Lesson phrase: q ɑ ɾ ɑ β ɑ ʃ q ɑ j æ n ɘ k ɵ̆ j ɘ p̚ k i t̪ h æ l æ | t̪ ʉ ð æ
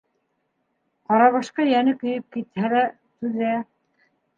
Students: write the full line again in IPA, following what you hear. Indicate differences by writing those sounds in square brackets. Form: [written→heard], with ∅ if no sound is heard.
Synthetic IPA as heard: q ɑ ɾ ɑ β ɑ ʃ q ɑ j æ n ɘ k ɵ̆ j ɘ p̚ k i t̪ h æ l æ | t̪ ʉ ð æ

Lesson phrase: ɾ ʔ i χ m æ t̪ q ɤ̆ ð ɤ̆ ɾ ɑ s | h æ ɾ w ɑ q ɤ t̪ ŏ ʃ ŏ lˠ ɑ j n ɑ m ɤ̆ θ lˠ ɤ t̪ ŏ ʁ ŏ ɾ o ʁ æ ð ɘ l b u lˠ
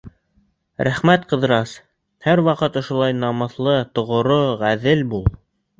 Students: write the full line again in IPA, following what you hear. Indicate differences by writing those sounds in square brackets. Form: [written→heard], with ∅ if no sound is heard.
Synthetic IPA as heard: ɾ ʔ [i→æ] χ m æ t̪ q ɤ̆ ð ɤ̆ ɾ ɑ s | h æ ɾ w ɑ q ɤ t̪ ŏ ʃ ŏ lˠ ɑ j n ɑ m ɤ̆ θ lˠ ɤ t̪ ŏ ʁ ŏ ɾ o ʁ æ ð ɘ l b u lˠ

